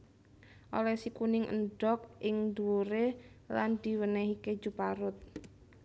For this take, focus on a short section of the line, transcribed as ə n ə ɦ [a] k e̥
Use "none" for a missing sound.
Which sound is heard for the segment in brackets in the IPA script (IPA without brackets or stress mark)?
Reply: i